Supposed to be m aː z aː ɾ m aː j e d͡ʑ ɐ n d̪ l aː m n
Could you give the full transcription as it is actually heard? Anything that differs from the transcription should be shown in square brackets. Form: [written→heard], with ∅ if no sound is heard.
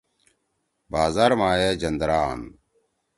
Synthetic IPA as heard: [m→b] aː z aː ɾ m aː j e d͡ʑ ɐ n d̪ [l→ɾ] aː [m→∅] n